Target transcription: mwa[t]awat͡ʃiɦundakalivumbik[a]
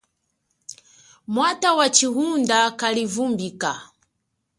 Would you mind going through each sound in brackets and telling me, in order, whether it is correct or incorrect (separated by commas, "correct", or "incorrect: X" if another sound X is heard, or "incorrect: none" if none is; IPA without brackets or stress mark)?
correct, correct